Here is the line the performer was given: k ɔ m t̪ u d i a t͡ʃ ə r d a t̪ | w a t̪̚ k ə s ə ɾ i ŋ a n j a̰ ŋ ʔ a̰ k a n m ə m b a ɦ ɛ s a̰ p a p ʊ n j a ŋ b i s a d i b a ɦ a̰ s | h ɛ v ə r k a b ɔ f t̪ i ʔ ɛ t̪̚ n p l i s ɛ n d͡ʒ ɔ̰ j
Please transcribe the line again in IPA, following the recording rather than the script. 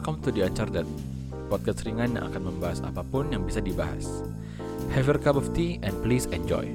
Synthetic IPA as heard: k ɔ m t̪ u d i a t͡ʃ a r d a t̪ | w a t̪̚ k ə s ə ɾ i ŋ a n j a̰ ŋ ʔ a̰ k a n m ə m b a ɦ a s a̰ p a p ʊ n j a ŋ b i s a d i b a ɦ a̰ s | h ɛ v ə r k a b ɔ f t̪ i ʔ ɛ n p l i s ɛ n d͡ʒ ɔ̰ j